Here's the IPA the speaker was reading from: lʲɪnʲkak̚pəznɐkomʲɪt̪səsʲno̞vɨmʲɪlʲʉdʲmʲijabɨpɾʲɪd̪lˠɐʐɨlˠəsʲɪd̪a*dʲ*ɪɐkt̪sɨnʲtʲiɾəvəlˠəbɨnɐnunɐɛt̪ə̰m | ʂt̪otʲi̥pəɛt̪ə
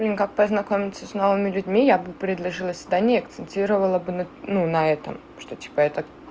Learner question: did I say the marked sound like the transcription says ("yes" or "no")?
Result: no